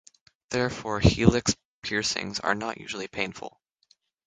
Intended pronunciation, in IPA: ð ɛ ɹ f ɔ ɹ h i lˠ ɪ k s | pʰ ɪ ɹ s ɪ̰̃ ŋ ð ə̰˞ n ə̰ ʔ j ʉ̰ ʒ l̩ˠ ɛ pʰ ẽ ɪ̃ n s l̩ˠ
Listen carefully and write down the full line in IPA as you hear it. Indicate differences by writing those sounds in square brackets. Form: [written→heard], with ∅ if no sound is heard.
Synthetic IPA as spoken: ð ɛ ɹ f ɔ ɹ h i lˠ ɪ k s | pʰ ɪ ɹ s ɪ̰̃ ŋ [ð→z] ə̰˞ n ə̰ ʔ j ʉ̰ ʒ l̩ˠ [ɛ→i] pʰ ẽ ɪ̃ n [s→f] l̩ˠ